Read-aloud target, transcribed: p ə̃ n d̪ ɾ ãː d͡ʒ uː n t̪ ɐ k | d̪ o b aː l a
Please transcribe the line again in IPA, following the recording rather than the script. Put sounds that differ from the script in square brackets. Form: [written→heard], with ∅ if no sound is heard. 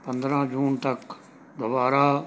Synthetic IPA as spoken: p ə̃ n d̪ ɾ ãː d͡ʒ uː n t̪ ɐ k | d̪ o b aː [l→ɾ] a